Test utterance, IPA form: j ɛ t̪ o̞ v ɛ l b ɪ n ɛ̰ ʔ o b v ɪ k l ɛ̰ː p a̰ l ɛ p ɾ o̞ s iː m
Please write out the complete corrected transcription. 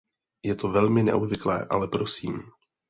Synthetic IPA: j ɛ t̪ o̞ v ɛ l m ɪ n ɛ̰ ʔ o b v ɪ k l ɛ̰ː ʔ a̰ l ɛ p ɾ o̞ s iː m